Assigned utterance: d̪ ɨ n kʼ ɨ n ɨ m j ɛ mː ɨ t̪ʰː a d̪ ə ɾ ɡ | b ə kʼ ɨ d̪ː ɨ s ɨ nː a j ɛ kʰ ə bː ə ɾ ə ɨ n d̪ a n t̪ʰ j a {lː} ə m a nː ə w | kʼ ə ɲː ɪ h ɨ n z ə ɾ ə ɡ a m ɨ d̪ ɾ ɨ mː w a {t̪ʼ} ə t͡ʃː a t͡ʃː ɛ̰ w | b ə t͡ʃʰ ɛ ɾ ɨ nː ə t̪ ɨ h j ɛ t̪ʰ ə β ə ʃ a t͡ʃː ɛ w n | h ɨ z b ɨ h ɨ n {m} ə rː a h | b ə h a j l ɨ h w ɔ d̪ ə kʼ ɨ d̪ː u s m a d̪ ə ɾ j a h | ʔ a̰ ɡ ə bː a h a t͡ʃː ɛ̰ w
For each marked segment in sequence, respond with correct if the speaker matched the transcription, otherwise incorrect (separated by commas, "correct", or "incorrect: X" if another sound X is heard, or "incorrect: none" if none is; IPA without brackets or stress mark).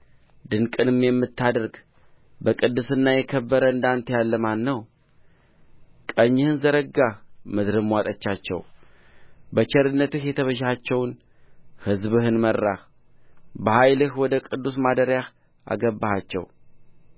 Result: correct, correct, correct